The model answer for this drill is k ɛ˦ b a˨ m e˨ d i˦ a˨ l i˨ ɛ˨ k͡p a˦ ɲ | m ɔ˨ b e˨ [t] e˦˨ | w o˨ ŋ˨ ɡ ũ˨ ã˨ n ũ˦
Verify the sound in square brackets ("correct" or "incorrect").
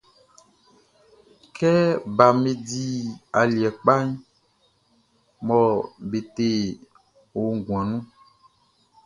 correct